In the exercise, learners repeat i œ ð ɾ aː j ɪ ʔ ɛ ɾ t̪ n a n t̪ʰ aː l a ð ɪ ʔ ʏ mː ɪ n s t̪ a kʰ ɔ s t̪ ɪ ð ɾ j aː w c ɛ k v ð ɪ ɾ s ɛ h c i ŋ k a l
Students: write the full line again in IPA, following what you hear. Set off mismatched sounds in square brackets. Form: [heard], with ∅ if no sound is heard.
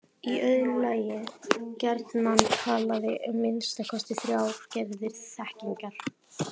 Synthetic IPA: i œ ð [l] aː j ɪ [c] ɛ ɾ t̪ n a n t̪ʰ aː l a ð ɪ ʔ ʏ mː ɪ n s t̪ a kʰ ɔ s t̪ ɪ [θ] ɾ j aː w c ɛ [∅] v ð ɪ ɾ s ɛ h c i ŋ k a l